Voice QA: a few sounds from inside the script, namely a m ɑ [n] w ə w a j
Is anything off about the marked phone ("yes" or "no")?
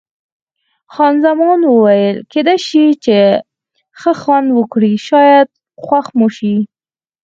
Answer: no